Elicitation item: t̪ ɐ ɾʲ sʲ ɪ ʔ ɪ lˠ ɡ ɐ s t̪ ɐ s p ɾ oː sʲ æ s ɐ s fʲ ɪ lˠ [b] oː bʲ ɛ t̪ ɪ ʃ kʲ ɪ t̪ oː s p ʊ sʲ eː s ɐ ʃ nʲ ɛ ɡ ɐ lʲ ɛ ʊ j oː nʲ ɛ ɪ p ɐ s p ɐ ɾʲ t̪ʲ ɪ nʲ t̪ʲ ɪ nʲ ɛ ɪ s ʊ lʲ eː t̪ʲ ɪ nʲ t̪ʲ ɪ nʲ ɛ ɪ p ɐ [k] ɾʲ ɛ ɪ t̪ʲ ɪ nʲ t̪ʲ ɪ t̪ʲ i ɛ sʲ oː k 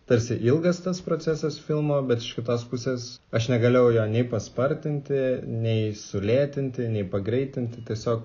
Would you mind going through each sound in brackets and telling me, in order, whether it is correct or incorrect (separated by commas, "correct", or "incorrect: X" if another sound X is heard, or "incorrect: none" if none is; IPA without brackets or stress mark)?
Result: incorrect: m, incorrect: ɡ